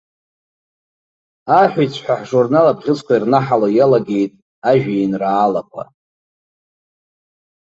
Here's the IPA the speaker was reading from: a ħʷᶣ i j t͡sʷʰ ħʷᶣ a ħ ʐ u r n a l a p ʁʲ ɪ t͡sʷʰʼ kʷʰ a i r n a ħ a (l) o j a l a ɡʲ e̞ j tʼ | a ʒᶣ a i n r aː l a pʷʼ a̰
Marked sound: correct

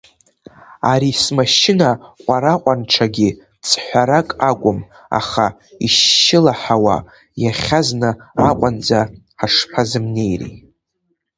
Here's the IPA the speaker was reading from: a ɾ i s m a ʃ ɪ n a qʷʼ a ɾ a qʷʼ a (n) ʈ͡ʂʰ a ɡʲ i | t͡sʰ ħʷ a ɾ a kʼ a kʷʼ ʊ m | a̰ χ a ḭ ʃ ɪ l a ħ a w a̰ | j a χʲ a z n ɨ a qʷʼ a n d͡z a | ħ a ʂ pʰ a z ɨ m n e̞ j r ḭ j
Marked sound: correct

